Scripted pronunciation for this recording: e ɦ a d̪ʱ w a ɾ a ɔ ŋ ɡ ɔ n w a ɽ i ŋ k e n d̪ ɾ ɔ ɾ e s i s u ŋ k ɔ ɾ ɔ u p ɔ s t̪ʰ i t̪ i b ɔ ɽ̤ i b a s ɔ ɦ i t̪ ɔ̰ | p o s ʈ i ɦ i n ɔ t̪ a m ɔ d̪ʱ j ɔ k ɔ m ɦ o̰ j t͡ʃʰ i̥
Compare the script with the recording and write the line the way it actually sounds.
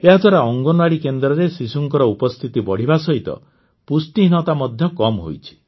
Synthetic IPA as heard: e ɦ a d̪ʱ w a ɾ a ɔ ŋ ɡ ɔ n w a ɽ i k e n d̪ ɾ ɔ ɾ e s i s u ŋ k ɔ ɾ ɔ u p ɔ s t̪ʰ i t̪ i b ɔ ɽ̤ i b a s ɔ ɦ i t̪ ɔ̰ | p u s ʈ i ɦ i n ɔ t̪ a m ɔ d̪ʱ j ɔ k ɔ m ɦ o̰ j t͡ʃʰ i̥